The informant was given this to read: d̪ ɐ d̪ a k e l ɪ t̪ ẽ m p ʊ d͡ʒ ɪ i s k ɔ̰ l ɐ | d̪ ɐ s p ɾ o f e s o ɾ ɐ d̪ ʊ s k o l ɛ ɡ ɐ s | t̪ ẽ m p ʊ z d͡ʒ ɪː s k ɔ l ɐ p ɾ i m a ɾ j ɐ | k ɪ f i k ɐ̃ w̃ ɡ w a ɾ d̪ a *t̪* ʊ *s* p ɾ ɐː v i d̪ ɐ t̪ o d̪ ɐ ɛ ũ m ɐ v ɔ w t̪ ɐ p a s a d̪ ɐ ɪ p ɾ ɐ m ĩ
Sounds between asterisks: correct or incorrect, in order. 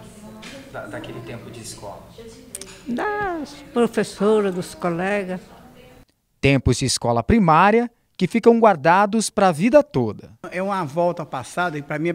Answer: incorrect, correct

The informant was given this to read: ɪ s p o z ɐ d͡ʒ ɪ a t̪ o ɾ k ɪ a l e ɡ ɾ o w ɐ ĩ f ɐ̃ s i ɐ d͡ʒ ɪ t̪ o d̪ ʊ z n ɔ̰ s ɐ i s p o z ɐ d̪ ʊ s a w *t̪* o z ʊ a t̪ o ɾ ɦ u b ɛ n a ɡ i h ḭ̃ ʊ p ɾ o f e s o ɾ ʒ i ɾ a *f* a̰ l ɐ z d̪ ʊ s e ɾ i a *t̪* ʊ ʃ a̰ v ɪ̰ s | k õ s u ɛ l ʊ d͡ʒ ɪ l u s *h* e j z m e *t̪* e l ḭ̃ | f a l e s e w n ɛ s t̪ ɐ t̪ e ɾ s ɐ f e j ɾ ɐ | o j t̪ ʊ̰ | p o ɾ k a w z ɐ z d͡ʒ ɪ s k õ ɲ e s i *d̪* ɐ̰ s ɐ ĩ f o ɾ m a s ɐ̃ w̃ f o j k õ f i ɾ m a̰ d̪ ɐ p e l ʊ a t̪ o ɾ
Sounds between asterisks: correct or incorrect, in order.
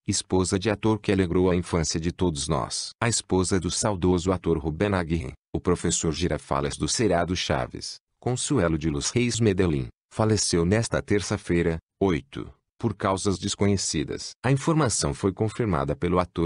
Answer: incorrect, correct, incorrect, correct, incorrect, correct

